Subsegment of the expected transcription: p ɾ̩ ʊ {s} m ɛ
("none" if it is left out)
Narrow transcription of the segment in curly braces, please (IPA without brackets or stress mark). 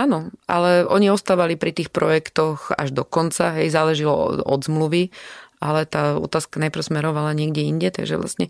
s